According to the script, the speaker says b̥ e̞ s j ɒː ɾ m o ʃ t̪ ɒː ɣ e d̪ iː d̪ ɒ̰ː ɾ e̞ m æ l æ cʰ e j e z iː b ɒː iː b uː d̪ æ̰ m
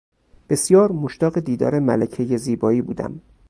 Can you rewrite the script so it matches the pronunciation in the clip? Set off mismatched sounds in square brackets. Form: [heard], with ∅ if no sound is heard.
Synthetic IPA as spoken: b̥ e̞ s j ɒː ɾ m o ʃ t̪ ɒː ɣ e d̪ iː d̪ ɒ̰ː ɾ e̞ m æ l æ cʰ e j e z iː b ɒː iː b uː d̪ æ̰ m